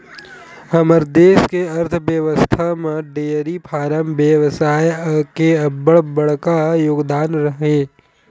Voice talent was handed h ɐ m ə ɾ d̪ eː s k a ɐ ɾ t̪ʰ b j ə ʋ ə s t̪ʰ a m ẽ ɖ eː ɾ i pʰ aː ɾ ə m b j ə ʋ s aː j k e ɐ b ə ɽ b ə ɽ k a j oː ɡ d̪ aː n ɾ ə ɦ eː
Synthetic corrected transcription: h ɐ m ə ɾ d̪ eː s k e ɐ ɾ t̪ʰ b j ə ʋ ə s t̪ʰ a m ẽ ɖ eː ɾ i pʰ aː ɾ ə m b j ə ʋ s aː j k e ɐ b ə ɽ b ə ɽ k a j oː ɡ d̪ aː n ɾ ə ɦ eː